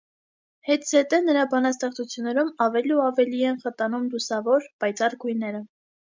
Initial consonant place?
glottal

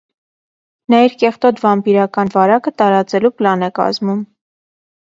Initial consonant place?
alveolar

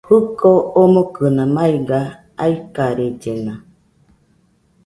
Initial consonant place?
glottal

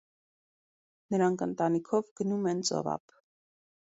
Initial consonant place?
alveolar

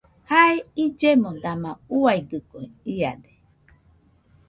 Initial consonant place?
glottal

